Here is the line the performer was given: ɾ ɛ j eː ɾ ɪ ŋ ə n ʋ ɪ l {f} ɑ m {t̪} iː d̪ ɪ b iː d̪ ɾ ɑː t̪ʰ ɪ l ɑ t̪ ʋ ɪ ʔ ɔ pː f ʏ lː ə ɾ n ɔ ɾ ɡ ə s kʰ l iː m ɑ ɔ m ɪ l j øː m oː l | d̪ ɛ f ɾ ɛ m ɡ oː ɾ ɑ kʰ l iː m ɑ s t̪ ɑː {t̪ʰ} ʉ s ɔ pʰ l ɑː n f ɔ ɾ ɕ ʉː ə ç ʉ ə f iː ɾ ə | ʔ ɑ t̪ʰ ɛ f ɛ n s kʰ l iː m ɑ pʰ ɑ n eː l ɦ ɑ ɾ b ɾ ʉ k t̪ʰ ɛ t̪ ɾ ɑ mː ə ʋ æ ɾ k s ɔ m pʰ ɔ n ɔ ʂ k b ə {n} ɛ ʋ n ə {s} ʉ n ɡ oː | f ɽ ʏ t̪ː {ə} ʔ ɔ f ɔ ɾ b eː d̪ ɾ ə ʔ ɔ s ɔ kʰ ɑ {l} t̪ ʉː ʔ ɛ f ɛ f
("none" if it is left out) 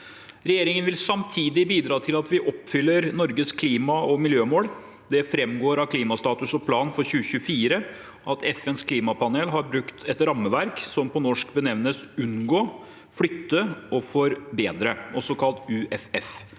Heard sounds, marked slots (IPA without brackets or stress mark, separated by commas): s, t̪ʰ, t̪, n, s, ə, l